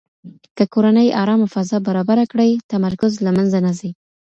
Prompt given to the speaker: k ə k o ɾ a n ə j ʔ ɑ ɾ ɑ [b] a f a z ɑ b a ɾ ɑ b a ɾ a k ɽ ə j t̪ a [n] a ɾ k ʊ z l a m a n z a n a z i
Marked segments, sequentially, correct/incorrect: incorrect: m, incorrect: m

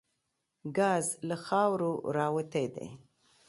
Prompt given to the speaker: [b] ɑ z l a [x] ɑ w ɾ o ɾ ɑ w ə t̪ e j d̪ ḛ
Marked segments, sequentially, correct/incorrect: incorrect: ɡ, correct

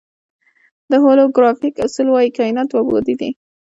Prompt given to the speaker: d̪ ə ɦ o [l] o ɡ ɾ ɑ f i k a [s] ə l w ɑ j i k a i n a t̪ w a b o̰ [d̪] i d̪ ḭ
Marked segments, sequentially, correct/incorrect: correct, correct, correct

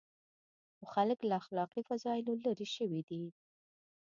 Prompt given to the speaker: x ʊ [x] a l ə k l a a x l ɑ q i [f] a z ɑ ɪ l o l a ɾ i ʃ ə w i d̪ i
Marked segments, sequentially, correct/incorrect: correct, correct

